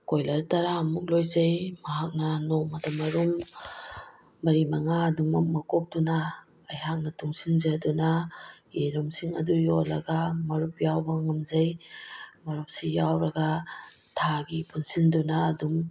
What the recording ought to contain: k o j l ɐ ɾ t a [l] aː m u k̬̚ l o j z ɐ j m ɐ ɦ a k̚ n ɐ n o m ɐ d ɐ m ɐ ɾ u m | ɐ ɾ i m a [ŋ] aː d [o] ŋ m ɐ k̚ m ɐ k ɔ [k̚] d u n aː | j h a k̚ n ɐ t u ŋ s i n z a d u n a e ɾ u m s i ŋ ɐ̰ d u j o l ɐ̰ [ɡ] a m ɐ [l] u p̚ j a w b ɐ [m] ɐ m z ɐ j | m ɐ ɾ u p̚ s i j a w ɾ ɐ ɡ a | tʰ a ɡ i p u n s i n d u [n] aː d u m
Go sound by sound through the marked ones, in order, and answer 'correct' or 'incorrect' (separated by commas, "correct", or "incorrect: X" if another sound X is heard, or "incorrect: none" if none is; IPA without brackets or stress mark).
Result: incorrect: ɾ, correct, incorrect: u, incorrect: p̚, correct, incorrect: ɾ, incorrect: ŋ, correct